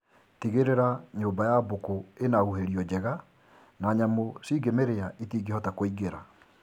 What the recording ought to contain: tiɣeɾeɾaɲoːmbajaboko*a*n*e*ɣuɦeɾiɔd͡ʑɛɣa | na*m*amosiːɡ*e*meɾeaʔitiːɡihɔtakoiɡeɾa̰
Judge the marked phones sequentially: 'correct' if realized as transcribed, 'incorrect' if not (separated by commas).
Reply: incorrect, incorrect, incorrect, correct